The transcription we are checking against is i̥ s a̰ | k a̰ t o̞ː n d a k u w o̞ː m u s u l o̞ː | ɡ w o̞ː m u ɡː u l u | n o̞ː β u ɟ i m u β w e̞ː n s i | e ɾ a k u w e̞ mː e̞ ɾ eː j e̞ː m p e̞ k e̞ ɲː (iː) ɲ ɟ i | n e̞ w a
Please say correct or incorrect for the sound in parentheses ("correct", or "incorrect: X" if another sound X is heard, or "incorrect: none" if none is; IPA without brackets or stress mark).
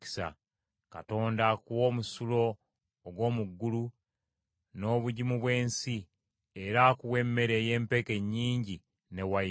correct